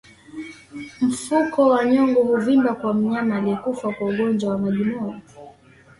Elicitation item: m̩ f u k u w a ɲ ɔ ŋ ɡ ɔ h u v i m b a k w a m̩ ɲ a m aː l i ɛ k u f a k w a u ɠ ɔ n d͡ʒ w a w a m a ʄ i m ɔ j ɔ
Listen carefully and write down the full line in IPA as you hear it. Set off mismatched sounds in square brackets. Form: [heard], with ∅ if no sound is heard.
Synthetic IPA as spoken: m̩ f u k [ɔ] w a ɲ ɔ ŋ ɡ ɔ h u v i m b a k w a m̩ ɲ a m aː l i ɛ k u f a k w a u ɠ ɔ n d͡ʒ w a w a m a ʄ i m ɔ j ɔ